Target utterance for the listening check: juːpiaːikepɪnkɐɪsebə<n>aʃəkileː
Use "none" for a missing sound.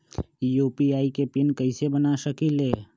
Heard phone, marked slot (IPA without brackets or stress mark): n